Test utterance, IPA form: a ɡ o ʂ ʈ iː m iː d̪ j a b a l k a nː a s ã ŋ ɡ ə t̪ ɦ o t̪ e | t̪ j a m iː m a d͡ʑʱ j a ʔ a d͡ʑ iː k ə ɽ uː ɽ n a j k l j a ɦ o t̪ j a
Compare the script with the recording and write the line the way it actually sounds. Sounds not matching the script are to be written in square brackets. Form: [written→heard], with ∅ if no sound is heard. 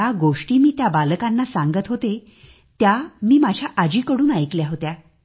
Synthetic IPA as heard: a ɡ o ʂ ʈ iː m iː [d̪→t̪] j a b a l k a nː a s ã ŋ ɡ ə t̪ ɦ o t̪ e | t̪ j a m iː m a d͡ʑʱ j a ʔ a d͡ʑ iː k ə ɽ uː [ɽ→∅] n a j k l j a ɦ o t̪ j a